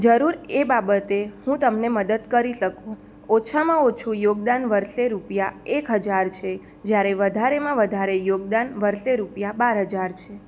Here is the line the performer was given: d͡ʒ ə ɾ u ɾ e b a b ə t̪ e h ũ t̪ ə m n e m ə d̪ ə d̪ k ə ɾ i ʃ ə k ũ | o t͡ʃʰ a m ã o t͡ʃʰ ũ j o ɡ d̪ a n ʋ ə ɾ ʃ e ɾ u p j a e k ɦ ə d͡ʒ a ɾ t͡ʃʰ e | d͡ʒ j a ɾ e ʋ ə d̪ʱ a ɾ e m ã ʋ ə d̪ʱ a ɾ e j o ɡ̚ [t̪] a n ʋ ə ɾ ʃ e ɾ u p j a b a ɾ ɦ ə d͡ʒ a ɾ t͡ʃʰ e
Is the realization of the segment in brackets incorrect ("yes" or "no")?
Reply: yes